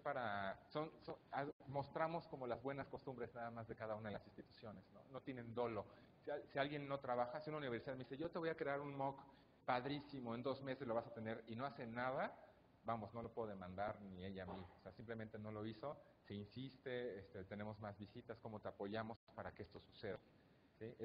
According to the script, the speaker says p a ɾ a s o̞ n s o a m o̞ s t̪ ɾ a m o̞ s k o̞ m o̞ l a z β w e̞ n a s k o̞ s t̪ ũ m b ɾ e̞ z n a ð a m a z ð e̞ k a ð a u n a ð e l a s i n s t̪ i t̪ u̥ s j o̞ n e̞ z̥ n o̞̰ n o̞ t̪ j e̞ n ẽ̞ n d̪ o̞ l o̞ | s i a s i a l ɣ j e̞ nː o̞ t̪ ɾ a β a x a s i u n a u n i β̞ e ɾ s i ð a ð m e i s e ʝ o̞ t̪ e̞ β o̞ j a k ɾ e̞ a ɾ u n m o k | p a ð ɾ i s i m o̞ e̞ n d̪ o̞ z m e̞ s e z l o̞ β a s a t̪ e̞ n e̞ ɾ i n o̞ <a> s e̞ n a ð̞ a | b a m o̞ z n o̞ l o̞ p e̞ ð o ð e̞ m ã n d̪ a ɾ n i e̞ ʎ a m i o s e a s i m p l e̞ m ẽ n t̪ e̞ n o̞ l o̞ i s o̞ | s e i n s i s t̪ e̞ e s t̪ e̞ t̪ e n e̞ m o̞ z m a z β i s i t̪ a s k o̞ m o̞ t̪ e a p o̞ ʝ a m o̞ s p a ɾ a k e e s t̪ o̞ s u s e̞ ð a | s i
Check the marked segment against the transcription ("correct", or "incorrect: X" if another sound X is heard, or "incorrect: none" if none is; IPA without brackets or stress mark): correct